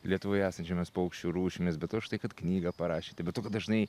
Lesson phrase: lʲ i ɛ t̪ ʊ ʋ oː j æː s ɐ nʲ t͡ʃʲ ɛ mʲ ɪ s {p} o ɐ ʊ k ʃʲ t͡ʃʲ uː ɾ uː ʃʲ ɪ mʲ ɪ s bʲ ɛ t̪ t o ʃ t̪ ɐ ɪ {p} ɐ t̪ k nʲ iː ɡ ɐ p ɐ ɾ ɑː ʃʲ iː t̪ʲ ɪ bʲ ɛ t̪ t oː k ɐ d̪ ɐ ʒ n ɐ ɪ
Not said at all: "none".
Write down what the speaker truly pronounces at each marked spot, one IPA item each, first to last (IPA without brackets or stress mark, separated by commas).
p, k